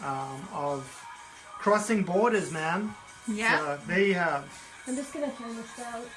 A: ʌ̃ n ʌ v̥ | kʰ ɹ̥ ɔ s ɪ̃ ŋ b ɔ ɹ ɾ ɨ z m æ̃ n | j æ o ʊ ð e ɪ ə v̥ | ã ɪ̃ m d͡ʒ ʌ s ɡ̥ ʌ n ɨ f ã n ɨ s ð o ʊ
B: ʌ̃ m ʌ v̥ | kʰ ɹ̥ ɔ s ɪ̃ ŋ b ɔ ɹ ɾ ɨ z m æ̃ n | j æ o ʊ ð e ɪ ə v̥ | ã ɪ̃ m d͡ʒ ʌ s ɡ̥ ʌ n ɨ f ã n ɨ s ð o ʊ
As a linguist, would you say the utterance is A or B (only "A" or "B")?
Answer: B